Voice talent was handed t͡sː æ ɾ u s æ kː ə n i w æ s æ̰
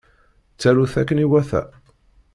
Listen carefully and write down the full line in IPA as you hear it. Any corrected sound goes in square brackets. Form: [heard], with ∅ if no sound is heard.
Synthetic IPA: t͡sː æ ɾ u [θ] æ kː ə n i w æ [θ] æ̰